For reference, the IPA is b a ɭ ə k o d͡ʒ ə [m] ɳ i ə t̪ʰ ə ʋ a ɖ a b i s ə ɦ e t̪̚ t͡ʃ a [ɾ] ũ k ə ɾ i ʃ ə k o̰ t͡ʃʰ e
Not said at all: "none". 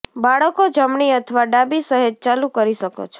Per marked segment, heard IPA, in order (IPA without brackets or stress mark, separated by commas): m, l